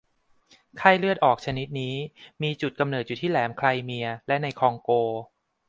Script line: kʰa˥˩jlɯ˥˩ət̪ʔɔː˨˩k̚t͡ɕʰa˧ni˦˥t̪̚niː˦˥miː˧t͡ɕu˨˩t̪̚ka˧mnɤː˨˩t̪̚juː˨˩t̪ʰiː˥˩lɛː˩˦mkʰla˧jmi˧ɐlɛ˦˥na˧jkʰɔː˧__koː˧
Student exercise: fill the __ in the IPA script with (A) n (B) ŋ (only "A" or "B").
B